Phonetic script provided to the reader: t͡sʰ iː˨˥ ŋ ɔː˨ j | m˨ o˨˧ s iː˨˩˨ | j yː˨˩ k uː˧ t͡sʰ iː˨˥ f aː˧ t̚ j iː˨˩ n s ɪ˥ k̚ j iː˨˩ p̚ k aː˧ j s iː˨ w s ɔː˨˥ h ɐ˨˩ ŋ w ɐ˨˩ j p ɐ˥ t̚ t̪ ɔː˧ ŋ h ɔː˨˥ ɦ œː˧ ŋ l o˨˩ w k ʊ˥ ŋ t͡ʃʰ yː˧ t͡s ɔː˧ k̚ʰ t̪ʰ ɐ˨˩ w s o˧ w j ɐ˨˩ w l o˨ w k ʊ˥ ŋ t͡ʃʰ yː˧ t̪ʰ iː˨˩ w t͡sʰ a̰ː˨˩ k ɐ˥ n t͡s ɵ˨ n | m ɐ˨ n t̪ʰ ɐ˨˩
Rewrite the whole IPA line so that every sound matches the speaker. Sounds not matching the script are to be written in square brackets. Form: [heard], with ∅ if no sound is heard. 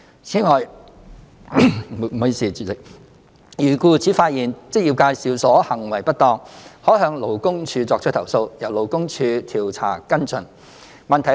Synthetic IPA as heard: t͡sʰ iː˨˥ ŋ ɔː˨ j | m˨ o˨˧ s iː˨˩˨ | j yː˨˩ k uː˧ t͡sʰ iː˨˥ f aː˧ t̚ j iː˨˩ n [t͡s] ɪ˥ k̚ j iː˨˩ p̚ k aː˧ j s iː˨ w s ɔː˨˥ h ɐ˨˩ ŋ w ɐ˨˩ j p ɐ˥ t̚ t̪ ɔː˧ ŋ h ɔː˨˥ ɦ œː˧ ŋ l o˨˩ w k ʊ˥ ŋ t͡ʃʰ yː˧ t͡s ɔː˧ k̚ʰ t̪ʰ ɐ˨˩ w s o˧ w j ɐ˨˩ w l o˨ w k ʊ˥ ŋ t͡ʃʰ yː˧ t̪ʰ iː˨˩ w t͡sʰ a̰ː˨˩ k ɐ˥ n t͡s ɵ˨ n | m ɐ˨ n t̪ʰ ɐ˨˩